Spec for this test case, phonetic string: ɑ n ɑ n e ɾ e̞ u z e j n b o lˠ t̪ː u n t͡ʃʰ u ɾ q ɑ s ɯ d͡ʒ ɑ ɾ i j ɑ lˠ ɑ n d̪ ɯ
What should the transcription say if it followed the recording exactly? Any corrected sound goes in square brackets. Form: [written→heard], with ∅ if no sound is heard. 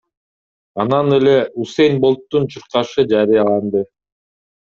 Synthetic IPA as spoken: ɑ n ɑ n e [ɾ→l] e̞ u [z→s] e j n b o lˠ t̪ː u n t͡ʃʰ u ɾ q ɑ [s→ʃ] ɯ d͡ʒ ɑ ɾ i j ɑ lˠ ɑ n d̪ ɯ